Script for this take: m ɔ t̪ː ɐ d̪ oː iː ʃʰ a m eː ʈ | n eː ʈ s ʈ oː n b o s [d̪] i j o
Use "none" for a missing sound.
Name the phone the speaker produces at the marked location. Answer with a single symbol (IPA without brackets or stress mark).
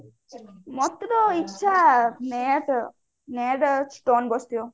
t̪